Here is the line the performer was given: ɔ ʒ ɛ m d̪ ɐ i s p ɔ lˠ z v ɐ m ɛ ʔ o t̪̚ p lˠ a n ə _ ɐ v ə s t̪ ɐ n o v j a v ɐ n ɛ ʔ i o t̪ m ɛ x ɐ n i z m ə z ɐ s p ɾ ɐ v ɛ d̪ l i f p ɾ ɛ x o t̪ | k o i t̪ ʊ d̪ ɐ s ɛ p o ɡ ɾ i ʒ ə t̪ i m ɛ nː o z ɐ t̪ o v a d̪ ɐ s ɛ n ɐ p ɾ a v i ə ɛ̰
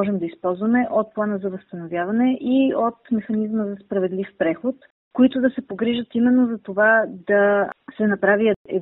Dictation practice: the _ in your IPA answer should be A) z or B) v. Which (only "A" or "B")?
A